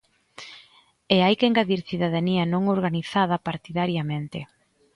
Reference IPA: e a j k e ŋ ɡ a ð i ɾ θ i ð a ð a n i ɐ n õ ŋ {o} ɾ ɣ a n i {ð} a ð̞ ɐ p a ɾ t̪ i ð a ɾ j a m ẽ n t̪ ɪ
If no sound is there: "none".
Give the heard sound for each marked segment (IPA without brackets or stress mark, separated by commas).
o, θ